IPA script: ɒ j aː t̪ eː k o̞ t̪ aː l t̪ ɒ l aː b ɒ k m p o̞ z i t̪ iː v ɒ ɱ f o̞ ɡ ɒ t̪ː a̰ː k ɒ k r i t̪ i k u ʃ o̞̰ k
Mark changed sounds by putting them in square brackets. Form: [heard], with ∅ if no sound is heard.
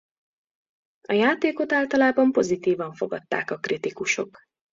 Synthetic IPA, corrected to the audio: ɒ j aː t̪ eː k o̞ t̪ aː l t̪ ɒ l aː b ɒ [∅] m p o̞ z i t̪ iː v ɒ ɱ f o̞ ɡ ɒ t̪ː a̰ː k ɒ k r i t̪ i k u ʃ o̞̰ k